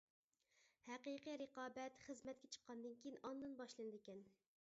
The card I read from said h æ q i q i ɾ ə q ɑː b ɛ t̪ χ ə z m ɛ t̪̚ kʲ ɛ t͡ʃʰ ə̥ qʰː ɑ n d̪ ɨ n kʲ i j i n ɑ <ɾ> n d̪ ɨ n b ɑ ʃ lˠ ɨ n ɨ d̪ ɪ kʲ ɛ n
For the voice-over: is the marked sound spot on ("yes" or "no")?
no